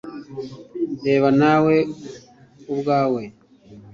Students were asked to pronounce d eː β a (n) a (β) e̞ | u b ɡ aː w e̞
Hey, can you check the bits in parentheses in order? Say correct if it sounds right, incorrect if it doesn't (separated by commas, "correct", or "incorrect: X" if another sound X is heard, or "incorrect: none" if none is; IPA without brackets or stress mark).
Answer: correct, incorrect: w